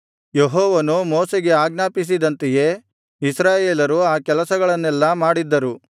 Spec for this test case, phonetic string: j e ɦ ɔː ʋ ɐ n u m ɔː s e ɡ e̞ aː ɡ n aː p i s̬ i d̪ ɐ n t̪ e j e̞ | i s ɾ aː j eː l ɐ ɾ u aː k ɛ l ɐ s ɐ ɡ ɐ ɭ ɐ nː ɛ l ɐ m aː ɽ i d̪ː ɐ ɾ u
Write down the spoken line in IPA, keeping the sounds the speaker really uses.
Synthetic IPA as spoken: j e ɦ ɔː ʋ ɐ n u m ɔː s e ɡ e̞ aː ɡ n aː p i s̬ i d̪ ɐ n t̪ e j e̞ | i s ɾ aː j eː l ɐ ɾ u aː k ɛ l ɐ s ɐ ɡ ɐ ɭ ɐ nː ɛ lː ɐ m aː ɽ i d̪ː ɐ ɾ u